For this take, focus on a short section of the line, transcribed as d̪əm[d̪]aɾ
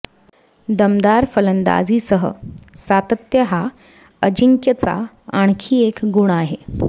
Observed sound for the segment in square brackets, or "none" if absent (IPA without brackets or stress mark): d̪